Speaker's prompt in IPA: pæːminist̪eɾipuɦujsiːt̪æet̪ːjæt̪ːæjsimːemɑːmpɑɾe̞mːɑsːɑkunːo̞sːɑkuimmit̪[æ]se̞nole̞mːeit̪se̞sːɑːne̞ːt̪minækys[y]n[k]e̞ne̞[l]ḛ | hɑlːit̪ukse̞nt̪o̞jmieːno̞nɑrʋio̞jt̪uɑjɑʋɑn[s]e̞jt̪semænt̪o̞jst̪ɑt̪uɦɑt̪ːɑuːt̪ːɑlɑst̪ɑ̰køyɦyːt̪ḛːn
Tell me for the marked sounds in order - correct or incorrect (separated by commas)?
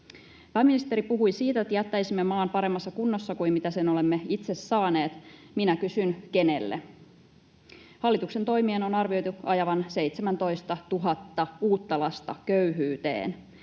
correct, correct, correct, incorrect, correct